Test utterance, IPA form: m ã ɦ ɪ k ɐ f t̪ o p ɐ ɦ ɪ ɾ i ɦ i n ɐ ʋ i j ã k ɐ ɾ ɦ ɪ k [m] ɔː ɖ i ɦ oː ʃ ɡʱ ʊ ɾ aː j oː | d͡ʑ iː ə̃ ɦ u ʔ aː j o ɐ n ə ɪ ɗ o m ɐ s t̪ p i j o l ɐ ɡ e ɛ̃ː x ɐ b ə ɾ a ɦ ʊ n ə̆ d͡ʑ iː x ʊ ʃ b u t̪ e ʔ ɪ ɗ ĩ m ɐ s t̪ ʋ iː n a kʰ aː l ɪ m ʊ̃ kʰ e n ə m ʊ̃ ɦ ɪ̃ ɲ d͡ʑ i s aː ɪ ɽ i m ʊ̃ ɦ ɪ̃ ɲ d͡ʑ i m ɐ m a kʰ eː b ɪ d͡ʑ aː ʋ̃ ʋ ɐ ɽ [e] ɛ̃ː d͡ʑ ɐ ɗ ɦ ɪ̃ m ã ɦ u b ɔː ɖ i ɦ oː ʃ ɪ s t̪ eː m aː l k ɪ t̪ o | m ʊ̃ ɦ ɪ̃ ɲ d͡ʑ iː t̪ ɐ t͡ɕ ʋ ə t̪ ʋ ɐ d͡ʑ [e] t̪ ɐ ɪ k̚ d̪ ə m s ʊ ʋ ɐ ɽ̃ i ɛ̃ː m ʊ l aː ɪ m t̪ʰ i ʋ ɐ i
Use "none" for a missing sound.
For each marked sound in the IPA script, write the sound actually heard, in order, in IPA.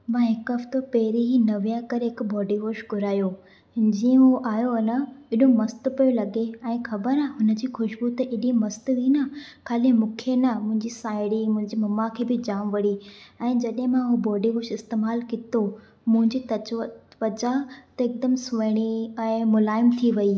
b, i, a

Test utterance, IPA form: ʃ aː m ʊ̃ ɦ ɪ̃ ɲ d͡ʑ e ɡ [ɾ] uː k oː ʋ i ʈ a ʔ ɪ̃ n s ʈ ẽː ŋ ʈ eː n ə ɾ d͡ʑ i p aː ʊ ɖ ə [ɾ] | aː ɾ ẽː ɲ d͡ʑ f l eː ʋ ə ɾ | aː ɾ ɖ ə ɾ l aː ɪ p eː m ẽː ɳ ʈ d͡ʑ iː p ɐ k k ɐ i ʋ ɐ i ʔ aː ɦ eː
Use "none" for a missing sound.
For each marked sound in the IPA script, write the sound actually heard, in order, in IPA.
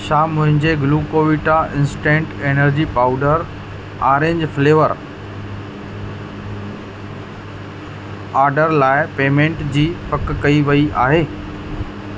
l, ɾ

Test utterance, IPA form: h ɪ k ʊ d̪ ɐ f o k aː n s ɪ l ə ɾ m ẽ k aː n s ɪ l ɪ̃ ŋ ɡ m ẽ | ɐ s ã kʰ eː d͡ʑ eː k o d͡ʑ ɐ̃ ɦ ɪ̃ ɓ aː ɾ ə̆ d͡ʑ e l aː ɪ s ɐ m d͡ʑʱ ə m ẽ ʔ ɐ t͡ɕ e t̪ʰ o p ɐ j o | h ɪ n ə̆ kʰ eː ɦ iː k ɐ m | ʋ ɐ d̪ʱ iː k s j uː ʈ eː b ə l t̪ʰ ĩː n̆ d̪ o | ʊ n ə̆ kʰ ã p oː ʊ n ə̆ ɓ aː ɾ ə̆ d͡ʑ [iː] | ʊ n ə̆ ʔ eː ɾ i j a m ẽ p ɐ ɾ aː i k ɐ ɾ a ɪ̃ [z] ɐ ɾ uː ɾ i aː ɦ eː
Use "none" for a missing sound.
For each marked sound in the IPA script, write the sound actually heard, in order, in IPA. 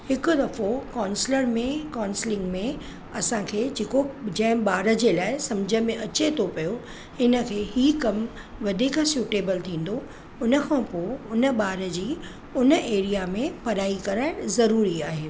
iː, z

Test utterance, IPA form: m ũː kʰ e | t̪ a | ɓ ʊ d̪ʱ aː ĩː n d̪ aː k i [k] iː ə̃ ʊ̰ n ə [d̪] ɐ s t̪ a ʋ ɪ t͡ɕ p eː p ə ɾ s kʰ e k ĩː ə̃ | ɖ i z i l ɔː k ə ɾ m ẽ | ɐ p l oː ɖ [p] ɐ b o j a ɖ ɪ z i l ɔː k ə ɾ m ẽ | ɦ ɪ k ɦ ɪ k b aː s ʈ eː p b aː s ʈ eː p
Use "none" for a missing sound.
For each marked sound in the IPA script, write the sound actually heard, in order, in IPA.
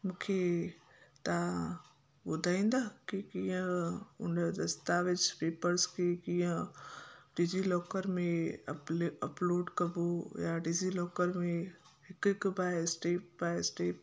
k, d̪, k

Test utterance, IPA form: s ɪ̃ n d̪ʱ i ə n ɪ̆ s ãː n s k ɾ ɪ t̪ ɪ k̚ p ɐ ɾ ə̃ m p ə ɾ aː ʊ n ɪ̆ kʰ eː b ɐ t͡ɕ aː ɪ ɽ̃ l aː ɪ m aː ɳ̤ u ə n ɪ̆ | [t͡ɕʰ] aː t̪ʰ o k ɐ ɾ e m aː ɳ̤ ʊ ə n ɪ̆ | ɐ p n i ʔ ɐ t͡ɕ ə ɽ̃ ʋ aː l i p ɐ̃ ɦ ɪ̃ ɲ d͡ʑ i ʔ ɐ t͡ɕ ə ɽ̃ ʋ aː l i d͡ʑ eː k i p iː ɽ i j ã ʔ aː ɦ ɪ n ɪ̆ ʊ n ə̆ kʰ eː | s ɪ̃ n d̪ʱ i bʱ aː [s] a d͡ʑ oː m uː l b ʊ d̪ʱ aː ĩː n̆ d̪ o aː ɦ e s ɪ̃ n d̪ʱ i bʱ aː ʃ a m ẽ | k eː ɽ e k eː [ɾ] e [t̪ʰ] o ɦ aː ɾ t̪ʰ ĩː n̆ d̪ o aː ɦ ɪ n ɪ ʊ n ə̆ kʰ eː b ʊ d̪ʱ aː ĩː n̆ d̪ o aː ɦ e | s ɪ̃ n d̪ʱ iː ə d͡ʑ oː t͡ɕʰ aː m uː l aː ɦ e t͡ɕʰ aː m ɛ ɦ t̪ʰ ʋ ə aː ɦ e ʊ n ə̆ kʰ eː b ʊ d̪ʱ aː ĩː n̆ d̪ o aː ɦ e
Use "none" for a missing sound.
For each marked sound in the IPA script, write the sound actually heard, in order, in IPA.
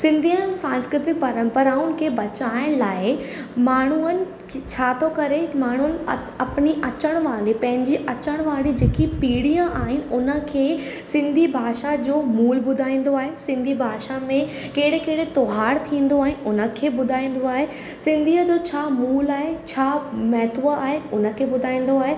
t͡ɕʰ, ʃ, ɽ, t̪

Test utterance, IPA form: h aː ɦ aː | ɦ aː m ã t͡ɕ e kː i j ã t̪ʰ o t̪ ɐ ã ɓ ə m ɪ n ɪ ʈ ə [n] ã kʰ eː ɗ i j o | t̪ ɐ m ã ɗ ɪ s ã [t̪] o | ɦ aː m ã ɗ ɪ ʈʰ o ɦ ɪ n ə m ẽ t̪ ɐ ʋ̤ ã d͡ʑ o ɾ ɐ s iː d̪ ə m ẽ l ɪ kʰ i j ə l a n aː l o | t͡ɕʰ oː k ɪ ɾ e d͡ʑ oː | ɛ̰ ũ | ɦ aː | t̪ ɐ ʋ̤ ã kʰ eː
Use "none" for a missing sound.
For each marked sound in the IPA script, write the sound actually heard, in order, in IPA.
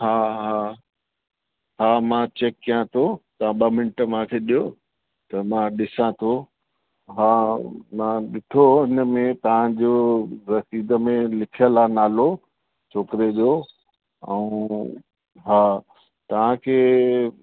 m, t̪ʰ

